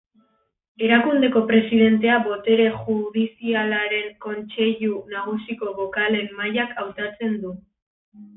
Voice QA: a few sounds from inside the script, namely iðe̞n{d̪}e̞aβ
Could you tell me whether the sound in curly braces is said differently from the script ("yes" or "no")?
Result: yes